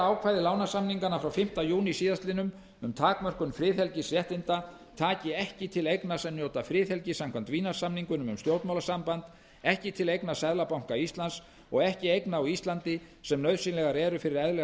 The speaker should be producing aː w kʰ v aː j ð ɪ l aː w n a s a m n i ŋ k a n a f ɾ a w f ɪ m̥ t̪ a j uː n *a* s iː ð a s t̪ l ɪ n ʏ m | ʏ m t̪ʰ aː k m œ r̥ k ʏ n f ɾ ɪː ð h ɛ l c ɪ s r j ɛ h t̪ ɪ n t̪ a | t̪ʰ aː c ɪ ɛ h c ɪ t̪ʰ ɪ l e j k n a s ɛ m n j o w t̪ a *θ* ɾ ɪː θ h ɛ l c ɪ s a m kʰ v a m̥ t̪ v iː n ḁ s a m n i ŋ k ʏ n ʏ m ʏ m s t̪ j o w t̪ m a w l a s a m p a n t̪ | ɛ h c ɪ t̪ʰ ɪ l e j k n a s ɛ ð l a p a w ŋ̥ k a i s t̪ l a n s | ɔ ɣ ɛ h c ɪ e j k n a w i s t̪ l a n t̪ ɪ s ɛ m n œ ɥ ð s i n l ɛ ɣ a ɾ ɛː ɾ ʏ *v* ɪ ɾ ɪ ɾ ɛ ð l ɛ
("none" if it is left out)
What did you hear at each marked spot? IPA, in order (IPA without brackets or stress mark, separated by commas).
i, f, f